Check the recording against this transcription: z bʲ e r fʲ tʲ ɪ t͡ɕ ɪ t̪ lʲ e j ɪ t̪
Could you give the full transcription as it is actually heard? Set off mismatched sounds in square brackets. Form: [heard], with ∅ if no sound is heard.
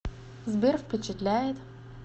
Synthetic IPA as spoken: z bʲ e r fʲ [pʲ] ɪ t͡ɕ ɪ t̪ lʲ [æ] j ɪ t̪